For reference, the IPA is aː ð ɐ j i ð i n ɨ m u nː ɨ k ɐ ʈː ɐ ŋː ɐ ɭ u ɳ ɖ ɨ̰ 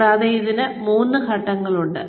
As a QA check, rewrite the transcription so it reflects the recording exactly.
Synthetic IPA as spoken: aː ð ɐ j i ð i n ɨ m uː nː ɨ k ɐ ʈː ɐ ŋː ɐ ɭ u ɳ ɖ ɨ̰